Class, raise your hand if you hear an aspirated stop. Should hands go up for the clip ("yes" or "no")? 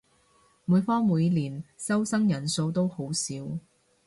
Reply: no